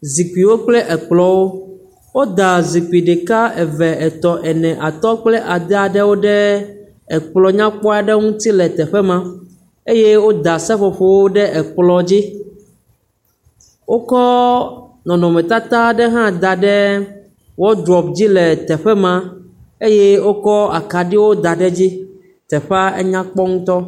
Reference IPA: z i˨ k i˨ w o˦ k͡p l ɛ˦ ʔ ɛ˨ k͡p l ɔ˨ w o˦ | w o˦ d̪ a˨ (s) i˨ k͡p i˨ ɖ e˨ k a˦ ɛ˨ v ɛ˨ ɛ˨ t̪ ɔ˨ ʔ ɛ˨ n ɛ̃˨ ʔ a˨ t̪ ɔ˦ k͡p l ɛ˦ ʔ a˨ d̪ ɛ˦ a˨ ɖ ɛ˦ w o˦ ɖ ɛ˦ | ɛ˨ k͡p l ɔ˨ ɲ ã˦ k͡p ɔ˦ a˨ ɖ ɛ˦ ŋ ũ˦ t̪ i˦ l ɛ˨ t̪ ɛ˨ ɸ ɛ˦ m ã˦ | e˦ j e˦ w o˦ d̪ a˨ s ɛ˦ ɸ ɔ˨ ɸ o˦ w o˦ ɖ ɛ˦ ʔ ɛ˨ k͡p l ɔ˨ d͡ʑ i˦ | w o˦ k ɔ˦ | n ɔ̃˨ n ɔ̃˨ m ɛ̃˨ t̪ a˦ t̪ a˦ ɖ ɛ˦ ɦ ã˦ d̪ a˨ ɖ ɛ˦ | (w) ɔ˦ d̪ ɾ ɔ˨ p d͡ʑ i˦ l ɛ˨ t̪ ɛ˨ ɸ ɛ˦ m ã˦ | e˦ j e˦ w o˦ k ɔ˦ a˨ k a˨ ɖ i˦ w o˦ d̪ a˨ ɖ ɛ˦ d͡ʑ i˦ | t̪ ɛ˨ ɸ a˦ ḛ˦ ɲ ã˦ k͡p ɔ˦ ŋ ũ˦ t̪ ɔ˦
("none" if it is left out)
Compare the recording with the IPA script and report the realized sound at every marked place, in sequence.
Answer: z, w

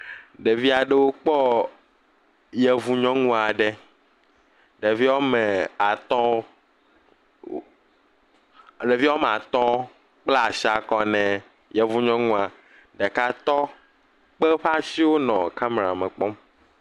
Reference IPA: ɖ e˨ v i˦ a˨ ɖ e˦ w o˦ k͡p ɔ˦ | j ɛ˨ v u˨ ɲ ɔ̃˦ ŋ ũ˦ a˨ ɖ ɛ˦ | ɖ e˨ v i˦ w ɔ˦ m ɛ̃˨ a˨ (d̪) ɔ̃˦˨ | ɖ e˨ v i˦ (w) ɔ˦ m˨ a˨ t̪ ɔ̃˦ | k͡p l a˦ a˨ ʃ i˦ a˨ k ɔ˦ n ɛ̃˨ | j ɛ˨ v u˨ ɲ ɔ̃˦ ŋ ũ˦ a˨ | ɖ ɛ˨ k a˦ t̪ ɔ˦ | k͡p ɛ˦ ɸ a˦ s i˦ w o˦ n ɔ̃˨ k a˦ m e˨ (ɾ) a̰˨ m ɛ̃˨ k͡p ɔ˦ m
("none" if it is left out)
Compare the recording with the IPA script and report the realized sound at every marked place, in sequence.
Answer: t̪, w, ɾ

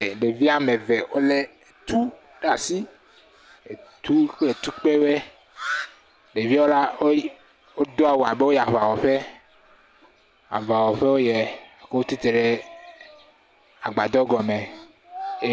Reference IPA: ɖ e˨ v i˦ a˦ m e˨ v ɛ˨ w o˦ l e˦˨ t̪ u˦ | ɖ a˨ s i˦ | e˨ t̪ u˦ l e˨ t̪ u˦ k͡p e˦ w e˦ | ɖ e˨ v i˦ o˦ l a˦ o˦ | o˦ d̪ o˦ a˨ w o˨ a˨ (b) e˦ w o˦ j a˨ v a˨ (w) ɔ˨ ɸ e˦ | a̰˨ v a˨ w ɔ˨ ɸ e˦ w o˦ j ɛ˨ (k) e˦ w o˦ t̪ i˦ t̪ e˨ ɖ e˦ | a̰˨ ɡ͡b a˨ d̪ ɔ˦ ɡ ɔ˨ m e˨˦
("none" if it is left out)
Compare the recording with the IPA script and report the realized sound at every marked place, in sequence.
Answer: b, w, k

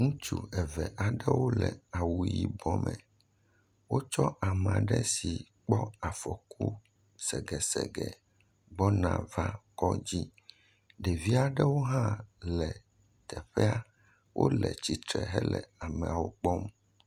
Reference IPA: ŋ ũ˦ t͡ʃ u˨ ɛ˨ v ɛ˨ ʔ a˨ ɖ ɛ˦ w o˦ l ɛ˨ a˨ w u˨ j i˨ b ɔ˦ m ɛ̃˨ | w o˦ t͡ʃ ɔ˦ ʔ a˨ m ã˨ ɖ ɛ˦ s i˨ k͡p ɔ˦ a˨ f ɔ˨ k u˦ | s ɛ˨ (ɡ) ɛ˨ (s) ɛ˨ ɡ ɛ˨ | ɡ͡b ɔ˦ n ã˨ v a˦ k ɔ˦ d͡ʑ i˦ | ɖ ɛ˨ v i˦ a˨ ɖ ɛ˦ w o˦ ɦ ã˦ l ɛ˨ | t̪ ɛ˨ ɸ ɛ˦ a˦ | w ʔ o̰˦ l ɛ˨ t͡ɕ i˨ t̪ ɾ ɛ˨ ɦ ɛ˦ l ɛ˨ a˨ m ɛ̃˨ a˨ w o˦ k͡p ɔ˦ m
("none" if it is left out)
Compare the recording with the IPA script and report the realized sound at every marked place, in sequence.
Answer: ɡ, s

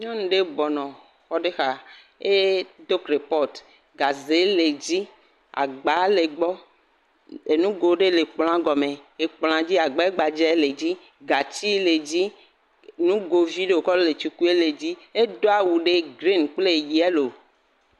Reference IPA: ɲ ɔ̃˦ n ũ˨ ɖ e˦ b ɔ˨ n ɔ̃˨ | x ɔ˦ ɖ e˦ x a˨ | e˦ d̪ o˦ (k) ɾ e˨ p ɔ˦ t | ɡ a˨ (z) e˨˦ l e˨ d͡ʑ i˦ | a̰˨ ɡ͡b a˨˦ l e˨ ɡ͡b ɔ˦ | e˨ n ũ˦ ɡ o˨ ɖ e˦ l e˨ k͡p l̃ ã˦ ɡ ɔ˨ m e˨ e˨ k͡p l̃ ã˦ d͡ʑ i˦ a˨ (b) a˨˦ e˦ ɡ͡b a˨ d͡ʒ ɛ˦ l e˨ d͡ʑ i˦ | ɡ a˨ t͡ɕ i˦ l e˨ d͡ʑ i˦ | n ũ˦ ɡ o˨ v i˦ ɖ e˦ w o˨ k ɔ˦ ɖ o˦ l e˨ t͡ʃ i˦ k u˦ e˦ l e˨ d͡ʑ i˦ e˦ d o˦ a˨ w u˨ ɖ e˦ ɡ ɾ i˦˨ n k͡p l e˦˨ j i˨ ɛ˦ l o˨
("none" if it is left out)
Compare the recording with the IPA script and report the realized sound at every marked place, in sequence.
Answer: k, z, ɡ͡b

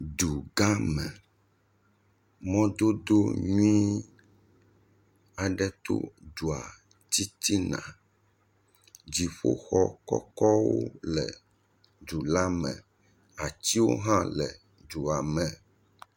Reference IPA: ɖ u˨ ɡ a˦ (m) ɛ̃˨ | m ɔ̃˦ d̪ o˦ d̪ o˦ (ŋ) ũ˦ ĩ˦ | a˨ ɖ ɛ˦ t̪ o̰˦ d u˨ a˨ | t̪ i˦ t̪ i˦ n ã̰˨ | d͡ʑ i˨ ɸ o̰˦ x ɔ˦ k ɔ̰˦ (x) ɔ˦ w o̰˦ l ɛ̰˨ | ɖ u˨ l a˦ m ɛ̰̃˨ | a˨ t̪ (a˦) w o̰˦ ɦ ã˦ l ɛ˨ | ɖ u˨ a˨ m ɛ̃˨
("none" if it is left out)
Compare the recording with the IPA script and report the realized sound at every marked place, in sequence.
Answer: m, ɲ, k, i˦

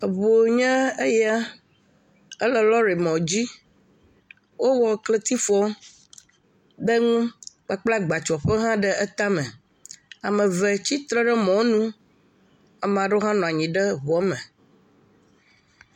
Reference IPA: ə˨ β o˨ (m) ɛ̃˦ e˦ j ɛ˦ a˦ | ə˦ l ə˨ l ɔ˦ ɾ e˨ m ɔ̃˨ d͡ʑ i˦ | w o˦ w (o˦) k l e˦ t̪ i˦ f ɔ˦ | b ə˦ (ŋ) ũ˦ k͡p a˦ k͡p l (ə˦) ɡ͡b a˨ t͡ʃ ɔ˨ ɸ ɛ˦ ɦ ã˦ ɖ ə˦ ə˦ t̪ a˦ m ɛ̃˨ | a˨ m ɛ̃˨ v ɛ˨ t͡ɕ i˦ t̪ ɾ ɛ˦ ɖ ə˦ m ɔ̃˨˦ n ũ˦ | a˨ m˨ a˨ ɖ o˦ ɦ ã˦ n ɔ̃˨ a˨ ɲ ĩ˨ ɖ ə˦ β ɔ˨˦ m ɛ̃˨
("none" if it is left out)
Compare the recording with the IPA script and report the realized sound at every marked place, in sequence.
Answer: ɲ, ɔ˦, ŋ, a˦

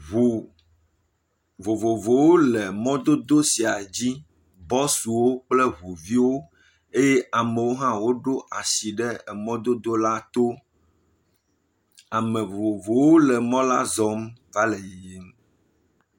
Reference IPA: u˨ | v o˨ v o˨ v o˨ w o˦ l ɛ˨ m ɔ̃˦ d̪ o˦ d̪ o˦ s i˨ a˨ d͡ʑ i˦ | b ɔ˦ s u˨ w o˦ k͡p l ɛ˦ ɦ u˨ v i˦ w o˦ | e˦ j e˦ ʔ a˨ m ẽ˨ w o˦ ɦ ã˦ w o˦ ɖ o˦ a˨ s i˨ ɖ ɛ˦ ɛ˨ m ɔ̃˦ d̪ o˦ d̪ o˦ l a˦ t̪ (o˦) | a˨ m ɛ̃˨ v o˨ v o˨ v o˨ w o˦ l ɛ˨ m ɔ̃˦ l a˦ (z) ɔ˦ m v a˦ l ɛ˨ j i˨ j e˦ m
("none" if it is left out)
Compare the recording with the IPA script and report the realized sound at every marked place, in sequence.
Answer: o˦, z

